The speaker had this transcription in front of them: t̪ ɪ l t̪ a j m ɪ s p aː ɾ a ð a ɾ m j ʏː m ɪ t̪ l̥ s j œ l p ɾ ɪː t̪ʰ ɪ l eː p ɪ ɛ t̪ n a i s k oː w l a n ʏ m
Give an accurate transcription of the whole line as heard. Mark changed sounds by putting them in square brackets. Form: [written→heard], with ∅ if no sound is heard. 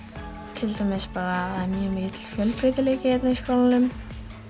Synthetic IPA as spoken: [t̪→t̪ʰ] ɪ l t̪ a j m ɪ s p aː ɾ a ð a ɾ m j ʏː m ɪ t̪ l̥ [s→f] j œ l p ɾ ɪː [t̪ʰ→t̪] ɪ l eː [p→c] ɪ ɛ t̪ n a i s k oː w l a n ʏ m

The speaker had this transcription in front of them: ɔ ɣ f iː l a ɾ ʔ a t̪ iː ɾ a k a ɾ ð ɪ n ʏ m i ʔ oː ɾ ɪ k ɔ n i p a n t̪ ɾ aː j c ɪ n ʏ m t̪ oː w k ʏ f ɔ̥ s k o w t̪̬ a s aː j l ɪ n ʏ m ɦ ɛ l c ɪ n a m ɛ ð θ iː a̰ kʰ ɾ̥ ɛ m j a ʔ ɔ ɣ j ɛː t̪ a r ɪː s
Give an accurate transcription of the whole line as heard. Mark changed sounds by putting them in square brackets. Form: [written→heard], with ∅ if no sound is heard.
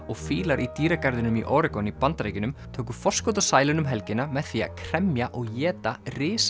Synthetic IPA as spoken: ɔ ɣ f iː l a ɾ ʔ [a→i] t̪ iː ɾ a k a ɾ ð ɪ n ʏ m i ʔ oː ɾ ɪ k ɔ n i p a n t̪ ɾ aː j c ɪ n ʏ m [t̪→t̪ʰ] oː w k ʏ f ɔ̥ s k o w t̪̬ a s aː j l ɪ n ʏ m ɦ ɛ l c ɪ n a m ɛ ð θ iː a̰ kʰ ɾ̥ ɛ m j a ʔ ɔ ɣ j ɛː t̪ a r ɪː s

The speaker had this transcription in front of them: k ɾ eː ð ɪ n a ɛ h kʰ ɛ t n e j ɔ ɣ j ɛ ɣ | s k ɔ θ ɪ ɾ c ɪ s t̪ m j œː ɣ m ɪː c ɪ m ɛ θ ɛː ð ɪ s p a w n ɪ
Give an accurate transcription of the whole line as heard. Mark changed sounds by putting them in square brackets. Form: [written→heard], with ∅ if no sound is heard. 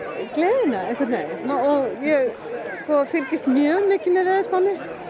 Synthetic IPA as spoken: k [ɾ→l] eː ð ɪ n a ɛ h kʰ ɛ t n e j ɔ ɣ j ɛ ɣ | s k ɔ [θ→f] ɪ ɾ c ɪ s t̪ m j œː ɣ m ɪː c ɪ m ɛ [θ→ð] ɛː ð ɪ s p a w n ɪ

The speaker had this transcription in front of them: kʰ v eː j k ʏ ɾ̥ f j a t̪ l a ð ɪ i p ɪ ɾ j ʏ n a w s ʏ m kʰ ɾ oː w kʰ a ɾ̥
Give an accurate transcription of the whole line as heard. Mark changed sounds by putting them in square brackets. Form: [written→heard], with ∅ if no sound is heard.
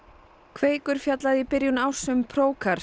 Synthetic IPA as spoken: kʰ v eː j k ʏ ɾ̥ f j a t̪ l a ð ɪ i p ɪ ɾ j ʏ n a w s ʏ m [kʰ→pʰ] ɾ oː w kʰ a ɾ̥

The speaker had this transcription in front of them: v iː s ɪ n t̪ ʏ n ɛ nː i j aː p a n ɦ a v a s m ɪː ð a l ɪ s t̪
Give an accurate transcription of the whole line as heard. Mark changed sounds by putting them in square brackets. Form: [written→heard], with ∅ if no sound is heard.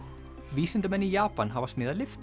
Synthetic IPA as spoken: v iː s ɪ n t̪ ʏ [n→m] ɛ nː i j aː p a n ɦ a v a s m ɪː ð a l ɪ [s→f] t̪

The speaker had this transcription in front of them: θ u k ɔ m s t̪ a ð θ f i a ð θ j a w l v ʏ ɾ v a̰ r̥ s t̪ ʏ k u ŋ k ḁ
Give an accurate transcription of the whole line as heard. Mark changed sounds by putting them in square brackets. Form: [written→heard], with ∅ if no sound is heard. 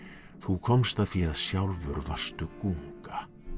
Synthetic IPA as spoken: θ u [k→kʰ] ɔ m s t̪ a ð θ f i a ð [θ→s] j a w l v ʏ ɾ v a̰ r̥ s t̪ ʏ k u ŋ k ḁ

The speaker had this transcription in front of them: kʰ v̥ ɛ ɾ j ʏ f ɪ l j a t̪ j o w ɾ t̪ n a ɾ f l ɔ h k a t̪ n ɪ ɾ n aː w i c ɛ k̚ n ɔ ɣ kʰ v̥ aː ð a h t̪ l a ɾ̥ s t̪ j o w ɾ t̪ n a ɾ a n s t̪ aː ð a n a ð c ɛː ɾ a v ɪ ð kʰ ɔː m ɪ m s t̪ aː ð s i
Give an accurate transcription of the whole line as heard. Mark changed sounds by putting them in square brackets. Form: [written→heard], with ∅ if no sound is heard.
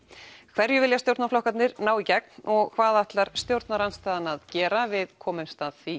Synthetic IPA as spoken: kʰ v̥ ɛ ɾ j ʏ [f→v] ɪ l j a t̪ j o w ɾ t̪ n a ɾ f l ɔ h k a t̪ n ɪ ɾ n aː w i c ɛ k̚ n ɔ ɣ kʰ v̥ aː ð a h t̪ l a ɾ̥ s t̪ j o w ɾ t̪ n a ɾ a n s t̪ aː ð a n a ð c ɛː ɾ a v ɪ ð kʰ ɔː m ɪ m s t̪ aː ð [s→θ] i

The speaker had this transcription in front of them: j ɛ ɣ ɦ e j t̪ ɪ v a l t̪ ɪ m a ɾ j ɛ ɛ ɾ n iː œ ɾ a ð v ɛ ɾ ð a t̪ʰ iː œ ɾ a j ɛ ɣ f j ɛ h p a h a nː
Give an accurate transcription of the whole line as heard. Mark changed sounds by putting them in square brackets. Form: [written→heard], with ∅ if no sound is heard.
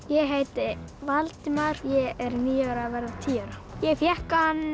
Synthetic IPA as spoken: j ɛ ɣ ɦ e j t̪ ɪ v a l t̪ ɪ m a ɾ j ɛ ɛ ɾ n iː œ ɾ a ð v ɛ ɾ ð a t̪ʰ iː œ ɾ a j ɛ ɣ f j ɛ h [p→k] a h a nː

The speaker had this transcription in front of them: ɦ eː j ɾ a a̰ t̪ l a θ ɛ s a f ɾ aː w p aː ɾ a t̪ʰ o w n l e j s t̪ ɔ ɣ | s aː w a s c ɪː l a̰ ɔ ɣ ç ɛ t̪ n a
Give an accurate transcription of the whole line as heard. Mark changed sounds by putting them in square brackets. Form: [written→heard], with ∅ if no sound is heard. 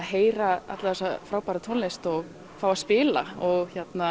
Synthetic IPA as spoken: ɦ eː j ɾ a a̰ t̪ l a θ ɛ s a f ɾ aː w p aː ɾ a t̪ʰ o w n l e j s t̪ ɔ ɣ | [s→f] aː w a s [c→p] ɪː l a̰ ɔ ɣ ç ɛ t̪ n a

